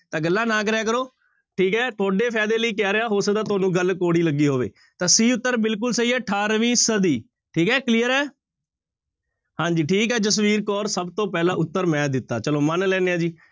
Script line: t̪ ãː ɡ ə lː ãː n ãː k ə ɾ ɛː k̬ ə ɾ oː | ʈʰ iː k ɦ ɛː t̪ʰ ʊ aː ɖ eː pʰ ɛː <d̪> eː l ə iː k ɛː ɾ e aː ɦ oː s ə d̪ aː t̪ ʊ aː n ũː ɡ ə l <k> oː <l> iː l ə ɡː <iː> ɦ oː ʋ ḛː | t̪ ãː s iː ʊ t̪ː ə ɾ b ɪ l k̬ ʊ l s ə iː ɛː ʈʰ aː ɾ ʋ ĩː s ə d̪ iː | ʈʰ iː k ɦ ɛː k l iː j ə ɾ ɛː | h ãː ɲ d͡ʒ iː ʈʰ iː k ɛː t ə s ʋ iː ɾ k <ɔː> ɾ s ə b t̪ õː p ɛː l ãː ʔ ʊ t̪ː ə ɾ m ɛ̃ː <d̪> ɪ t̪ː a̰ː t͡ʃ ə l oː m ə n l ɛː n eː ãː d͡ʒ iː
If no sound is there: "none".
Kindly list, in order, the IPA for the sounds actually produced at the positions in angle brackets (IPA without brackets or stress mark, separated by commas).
d̪, k, ɽ, iː, ɔː, d̪